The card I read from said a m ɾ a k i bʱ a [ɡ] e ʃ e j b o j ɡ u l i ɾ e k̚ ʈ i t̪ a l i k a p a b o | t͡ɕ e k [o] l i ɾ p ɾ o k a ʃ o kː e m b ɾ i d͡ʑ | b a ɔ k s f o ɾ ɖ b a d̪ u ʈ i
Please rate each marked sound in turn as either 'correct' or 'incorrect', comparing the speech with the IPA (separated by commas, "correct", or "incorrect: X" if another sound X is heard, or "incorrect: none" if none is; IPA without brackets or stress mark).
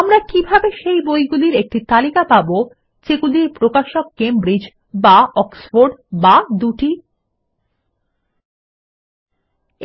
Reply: incorrect: b, incorrect: u